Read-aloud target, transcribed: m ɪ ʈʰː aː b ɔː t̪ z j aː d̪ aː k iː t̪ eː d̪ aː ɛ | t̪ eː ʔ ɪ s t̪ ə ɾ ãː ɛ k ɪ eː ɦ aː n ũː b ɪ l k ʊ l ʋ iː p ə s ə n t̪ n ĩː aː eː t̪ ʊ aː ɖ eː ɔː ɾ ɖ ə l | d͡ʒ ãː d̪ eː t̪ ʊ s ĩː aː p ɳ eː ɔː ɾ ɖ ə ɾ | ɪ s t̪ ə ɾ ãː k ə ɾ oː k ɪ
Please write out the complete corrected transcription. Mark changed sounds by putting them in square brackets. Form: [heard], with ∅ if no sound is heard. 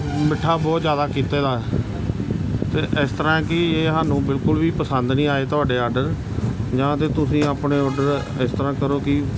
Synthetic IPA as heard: m ɪ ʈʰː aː b ɔː t̪ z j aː d̪ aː k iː t̪ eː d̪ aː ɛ | t̪ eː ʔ ɪ s t̪ ə ɾ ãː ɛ k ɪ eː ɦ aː n ũː b ɪ l k ʊ l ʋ iː p ə s ə n [d̪] n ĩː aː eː t̪ ʊ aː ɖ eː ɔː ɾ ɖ ə [ɾ] | d͡ʒ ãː [t̪] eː t̪ ʊ s ĩː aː p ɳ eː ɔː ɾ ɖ ə ɾ | ɪ s t̪ ə ɾ ãː k ə ɾ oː k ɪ